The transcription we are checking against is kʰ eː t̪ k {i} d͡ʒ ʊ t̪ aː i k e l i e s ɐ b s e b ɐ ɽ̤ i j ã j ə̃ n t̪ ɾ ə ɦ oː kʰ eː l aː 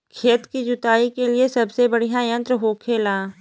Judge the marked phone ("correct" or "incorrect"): correct